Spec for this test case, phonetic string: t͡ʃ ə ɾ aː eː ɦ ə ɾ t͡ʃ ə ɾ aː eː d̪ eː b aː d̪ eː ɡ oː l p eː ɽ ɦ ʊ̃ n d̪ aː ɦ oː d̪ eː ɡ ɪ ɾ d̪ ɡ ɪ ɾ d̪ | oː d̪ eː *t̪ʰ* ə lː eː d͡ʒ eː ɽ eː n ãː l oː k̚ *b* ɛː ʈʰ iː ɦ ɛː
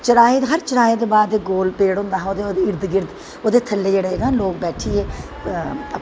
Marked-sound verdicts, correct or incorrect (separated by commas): correct, correct